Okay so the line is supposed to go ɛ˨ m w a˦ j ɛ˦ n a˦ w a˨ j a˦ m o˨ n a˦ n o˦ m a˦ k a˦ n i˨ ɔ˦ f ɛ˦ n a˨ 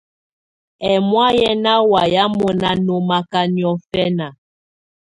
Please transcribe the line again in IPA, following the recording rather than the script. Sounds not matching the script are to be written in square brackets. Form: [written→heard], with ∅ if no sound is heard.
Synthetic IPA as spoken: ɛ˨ m w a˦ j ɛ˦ n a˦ w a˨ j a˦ m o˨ n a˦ n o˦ m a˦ k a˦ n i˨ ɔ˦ f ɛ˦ n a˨